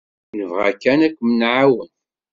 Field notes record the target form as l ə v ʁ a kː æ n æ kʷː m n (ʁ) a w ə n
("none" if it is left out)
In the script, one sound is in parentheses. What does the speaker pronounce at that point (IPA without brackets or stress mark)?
ʕ